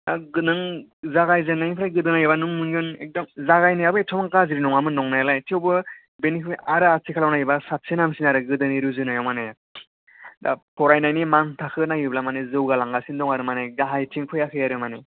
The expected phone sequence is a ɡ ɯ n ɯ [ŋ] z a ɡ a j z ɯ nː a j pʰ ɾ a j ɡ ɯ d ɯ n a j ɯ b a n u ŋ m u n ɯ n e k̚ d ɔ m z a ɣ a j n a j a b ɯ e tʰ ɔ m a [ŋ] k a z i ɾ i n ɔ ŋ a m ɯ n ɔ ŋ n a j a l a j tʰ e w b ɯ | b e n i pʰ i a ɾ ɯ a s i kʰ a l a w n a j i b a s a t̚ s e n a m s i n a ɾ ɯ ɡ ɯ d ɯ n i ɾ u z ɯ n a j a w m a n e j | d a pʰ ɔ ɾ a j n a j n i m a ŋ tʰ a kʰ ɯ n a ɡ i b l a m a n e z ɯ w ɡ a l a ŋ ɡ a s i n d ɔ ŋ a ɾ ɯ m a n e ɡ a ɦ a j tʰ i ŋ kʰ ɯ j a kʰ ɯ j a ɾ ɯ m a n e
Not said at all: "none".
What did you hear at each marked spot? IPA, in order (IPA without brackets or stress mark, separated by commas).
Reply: ŋ, ŋ